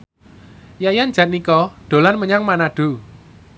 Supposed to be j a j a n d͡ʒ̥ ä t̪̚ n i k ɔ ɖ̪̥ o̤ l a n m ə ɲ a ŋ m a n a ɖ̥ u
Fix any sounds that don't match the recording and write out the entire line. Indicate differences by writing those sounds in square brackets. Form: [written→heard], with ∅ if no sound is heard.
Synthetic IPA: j a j a n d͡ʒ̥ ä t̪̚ n i k ɔ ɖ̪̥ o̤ l a n m ə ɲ a ŋ m a n a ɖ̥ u